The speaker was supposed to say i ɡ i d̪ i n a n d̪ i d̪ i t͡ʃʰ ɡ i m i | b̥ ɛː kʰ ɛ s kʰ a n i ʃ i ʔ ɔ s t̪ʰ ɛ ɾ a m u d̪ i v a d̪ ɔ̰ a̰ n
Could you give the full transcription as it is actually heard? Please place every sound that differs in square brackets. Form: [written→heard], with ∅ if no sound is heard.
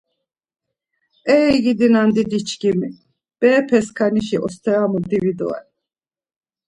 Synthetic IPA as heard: [i→ɛ] ɡ i d̪ i n a n d̪ i d̪ i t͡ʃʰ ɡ i m i | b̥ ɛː [kʰ→pʰ] ɛ s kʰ a n i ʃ i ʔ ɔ s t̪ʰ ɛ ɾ a m u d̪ i v [a→i] d̪ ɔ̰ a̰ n